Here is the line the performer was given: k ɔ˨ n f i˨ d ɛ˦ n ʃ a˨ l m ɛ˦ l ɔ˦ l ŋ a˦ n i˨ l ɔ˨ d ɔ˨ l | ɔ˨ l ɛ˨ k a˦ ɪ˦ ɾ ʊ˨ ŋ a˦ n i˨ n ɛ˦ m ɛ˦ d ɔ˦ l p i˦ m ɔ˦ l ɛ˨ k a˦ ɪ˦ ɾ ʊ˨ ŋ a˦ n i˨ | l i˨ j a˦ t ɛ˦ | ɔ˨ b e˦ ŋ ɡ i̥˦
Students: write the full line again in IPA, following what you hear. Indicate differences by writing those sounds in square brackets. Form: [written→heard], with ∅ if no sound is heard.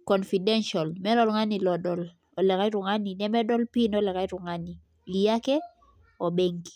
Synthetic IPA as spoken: k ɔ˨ n f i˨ d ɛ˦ n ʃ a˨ l m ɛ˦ l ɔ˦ l ŋ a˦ n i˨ l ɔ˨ d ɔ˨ l | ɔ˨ l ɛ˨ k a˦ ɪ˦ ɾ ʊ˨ ŋ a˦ n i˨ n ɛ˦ m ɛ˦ d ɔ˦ l p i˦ [m→n] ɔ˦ l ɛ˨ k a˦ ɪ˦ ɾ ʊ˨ ŋ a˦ n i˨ | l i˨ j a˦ [t→k] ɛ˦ | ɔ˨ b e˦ ŋ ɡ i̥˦